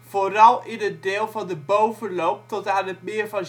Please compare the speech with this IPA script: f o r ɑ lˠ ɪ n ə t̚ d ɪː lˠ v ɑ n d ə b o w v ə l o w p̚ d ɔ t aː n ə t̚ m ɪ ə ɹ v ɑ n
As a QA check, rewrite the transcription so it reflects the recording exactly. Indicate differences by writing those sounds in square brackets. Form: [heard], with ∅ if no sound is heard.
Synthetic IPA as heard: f o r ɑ lˠ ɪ n ə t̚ d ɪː lˠ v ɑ n d ə b o w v ə l o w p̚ [t] ɔ t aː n ə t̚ m ɪ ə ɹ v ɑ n